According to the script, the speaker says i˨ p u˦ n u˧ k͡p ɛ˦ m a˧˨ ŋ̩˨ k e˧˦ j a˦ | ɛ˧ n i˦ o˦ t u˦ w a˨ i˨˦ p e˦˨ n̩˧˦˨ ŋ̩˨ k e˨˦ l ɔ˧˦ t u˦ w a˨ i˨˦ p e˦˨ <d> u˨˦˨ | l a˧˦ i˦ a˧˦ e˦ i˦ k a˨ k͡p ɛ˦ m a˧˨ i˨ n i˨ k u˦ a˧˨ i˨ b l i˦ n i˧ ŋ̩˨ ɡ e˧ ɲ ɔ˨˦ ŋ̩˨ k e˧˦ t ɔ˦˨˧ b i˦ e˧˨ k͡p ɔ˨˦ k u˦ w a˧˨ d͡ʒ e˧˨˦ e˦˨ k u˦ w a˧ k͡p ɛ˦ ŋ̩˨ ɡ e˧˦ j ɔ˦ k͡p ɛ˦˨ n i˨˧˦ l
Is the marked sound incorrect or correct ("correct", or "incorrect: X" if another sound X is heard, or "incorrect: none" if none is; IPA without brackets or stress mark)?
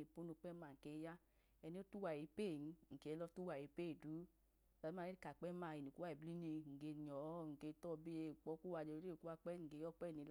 correct